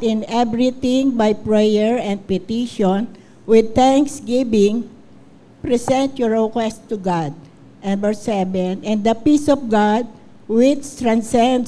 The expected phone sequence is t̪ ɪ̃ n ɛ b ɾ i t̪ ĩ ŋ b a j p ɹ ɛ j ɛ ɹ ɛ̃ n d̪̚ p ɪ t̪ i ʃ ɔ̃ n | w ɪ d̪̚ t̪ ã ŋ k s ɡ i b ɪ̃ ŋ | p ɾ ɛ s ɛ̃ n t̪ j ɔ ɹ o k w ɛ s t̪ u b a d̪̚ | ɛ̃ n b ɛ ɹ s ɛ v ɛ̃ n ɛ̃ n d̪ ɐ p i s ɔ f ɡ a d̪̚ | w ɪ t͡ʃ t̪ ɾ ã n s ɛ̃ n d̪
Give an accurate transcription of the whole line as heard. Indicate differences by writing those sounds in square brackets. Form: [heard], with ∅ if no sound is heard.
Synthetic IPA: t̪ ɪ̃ n ɛ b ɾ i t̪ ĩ ŋ b a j p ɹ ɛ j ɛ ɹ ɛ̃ n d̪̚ p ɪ t̪ i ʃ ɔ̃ n | w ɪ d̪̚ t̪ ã ŋ k s ɡ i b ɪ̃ ŋ | p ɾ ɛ s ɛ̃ n t̪ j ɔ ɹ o k w ɛ s t̪ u [ɡ] a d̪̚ | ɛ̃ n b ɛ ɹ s ɛ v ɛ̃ n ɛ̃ n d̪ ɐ p i s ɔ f ɡ a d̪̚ | w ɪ t͡ʃ t̪ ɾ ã n s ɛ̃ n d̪